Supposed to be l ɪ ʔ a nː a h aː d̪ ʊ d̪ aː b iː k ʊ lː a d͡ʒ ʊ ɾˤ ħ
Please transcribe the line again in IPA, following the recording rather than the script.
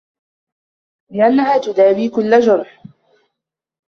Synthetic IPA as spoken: l ɪ ʔ a nː a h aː t̪ ʊ d̪ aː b iː k ʊ lː a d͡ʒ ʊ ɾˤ ħ